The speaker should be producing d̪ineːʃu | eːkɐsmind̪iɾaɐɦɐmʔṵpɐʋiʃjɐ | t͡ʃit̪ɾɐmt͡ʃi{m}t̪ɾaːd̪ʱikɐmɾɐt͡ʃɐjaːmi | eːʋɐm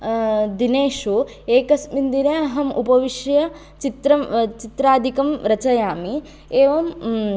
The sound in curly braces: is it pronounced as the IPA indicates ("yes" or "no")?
no